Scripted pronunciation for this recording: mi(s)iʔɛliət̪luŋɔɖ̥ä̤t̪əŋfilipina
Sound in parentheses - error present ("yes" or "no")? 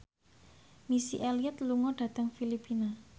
no